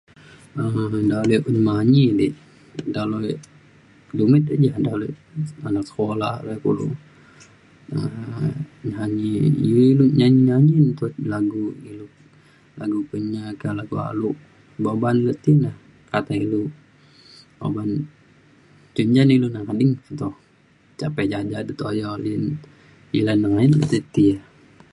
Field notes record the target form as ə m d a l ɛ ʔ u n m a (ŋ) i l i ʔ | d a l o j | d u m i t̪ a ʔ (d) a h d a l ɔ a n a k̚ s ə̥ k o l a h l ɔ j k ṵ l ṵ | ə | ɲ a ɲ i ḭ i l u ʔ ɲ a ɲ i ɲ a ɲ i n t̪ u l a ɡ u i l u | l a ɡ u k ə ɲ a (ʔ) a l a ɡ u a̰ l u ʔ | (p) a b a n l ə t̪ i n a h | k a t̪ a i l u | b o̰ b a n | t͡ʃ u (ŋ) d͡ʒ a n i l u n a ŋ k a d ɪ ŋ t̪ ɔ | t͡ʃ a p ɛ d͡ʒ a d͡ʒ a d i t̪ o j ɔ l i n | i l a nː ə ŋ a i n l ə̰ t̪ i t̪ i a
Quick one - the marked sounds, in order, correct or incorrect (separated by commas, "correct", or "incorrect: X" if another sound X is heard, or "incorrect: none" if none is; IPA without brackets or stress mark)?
incorrect: ɲ, incorrect: d͡ʒ, incorrect: k, incorrect: b, incorrect: ɲ